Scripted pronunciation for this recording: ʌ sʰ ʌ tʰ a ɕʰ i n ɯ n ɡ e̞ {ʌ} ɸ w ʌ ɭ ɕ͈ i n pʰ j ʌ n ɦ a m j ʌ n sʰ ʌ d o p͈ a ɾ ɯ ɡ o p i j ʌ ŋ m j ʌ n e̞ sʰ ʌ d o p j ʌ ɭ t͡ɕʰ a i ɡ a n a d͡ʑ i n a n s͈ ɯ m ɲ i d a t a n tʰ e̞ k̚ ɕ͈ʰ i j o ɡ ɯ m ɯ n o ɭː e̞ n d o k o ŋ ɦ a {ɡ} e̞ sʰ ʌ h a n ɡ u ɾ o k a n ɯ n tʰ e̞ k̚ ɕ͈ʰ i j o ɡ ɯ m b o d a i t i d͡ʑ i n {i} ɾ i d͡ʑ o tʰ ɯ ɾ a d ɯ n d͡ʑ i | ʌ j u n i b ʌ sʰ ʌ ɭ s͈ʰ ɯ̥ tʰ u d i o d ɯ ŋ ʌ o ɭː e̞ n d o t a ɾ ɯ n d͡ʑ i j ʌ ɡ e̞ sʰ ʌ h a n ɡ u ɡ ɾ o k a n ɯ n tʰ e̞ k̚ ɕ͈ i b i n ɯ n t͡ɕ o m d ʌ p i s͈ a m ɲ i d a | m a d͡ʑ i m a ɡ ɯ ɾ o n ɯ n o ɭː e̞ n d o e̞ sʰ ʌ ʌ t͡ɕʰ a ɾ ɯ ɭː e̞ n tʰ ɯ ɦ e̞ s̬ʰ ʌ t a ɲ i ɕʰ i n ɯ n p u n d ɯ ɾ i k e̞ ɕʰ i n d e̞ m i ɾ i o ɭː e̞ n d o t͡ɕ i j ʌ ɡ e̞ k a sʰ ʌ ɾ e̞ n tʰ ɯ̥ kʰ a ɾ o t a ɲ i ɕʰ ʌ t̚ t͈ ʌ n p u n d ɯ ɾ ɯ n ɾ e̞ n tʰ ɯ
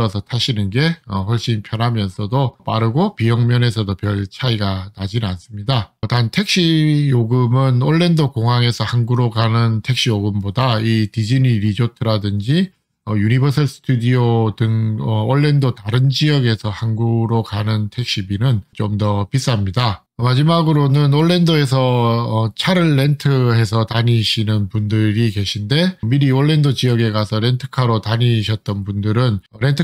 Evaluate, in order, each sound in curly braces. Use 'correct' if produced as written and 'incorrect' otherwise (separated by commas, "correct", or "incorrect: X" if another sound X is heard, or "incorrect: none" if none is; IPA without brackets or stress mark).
correct, incorrect: ŋ, correct